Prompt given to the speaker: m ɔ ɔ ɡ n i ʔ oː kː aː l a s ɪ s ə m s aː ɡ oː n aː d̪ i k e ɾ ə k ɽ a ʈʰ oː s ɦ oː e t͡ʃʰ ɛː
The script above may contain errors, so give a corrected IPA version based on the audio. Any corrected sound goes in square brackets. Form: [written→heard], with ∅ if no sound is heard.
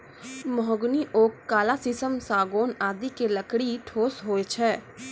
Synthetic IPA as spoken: m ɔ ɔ ɡ n i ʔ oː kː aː l a s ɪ s ə m s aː ɡ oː n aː d̪ i k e [ɾ→l] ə k ɽ [a→i] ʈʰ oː s ɦ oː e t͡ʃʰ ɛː